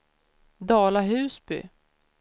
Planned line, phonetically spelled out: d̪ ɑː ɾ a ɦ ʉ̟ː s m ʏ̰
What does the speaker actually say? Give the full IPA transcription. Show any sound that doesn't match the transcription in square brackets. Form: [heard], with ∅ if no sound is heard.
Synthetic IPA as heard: d̪ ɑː [l] a ɦ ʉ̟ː s [b] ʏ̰

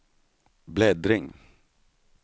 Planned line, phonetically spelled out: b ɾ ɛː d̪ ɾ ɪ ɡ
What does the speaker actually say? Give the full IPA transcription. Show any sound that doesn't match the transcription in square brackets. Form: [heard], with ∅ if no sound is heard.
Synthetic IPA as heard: b [l] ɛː d̪ ɾ ɪ [ŋ]

